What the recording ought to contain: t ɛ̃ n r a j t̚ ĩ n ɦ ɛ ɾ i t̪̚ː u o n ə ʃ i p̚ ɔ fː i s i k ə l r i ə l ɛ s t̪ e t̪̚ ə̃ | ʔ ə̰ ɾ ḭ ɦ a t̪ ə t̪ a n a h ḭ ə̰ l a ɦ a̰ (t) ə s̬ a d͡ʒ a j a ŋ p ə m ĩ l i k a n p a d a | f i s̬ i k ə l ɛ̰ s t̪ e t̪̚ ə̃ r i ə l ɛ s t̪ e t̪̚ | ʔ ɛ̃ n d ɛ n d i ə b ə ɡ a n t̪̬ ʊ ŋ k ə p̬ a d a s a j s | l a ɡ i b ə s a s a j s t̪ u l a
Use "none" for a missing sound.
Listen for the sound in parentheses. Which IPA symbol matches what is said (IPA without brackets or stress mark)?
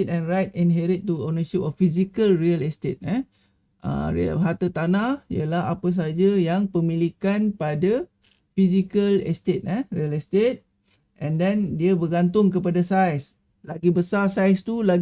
p